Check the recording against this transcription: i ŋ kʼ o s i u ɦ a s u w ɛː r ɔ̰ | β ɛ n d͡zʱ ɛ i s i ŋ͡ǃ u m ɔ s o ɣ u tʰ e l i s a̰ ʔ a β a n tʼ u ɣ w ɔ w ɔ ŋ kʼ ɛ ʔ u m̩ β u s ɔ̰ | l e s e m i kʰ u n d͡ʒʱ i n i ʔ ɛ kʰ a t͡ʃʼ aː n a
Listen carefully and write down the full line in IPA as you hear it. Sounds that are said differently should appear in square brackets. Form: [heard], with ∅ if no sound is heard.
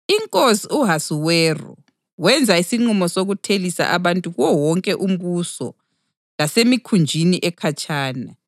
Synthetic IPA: i ŋ kʼ o s i u ɦ a s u w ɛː r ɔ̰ | [w] ɛ n d͡zʱ [a] i s i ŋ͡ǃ u m ɔ s o ɣ u tʰ e l i s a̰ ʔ a β a n tʼ u ɣ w ɔ w ɔ ŋ kʼ ɛ ʔ u m̩ β u s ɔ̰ | l [a] s e m i kʰ u n d͡ʒʱ i n i ʔ ɛ kʰ a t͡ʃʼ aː n a